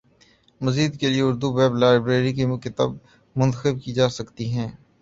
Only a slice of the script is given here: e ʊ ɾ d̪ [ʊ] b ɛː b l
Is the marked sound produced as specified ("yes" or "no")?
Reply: no